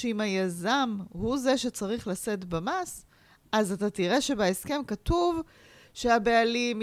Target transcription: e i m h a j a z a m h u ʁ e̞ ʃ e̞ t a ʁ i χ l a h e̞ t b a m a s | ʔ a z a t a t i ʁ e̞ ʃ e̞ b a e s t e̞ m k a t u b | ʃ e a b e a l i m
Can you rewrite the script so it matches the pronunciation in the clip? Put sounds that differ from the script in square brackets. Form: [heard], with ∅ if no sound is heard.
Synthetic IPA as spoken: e i m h a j a z a m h u [z] e̞ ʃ e̞ [t͡s] a ʁ i χ l a [s] e̞ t b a m a s | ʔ a z a t a t i ʁ e̞ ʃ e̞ b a e s [k] e̞ m k a t u [v] | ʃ e a b e a l i m